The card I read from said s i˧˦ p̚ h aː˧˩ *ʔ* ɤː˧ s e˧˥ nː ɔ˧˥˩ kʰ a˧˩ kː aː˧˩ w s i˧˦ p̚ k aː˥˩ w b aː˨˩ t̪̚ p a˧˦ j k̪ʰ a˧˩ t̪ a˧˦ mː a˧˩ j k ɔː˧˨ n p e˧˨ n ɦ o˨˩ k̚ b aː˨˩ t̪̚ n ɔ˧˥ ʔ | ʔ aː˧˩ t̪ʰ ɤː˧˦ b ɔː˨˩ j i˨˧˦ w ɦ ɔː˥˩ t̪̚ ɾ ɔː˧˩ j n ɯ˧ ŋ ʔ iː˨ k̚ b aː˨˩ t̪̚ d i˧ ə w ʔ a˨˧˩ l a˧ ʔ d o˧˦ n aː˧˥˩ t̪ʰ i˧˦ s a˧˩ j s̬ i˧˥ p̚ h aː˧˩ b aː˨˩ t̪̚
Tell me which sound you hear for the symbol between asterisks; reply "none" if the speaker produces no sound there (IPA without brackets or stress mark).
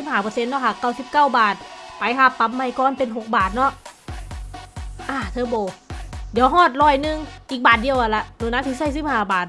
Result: p